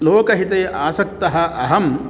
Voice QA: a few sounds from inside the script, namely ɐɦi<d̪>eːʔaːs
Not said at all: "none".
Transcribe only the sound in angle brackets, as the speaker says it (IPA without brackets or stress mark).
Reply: t̪